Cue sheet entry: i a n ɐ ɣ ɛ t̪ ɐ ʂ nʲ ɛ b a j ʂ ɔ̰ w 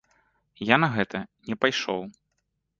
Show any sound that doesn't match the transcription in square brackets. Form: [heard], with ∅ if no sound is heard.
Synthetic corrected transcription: [j] a n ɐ ɣ ɛ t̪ ɐ [∅] nʲ ɛ [p] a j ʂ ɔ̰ w